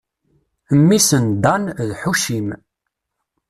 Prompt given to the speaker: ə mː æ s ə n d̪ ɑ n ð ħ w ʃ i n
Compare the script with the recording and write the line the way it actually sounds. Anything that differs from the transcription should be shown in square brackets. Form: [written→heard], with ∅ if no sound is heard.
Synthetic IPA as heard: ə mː [æ→i] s ə n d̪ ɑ n ð ħ [w→u] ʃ i [n→m]